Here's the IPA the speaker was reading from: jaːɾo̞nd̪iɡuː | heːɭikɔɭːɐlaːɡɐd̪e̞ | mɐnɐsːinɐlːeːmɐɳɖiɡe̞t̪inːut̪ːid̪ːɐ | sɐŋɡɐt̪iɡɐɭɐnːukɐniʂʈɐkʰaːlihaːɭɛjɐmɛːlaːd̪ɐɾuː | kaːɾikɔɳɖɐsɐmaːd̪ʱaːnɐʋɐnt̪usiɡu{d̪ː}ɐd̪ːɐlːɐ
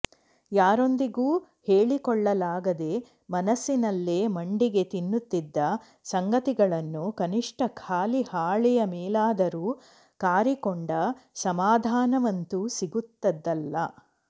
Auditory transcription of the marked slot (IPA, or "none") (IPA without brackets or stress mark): t̪ː